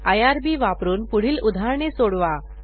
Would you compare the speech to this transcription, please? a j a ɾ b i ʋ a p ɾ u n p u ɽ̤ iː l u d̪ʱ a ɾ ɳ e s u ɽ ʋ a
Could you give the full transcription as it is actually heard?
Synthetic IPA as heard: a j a ɾ b i ʋ a p ɾ uː n p u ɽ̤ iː l u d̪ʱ a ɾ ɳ e s o ɽ ʋ a